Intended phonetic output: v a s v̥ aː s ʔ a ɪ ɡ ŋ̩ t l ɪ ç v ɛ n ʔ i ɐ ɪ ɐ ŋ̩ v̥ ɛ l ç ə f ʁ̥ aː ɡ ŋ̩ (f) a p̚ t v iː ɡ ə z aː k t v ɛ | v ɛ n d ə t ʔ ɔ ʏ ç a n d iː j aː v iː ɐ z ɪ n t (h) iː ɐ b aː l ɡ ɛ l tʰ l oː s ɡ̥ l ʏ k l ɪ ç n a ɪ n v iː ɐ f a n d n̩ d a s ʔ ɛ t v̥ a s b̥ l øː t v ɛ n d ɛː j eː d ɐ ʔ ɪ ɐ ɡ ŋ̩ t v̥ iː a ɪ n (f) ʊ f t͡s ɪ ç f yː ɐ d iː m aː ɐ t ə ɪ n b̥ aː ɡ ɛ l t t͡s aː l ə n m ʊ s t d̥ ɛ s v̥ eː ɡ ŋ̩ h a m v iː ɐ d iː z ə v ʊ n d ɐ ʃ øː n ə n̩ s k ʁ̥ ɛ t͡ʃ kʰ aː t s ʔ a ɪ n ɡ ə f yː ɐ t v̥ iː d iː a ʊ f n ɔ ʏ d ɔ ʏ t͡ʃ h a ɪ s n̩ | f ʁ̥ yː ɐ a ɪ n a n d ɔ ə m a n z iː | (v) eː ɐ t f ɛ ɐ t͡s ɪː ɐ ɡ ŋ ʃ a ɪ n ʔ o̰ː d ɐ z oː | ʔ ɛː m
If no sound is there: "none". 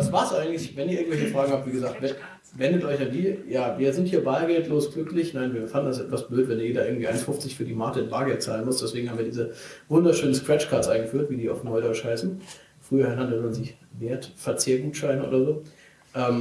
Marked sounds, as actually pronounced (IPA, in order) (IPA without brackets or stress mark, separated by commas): h, h, f, v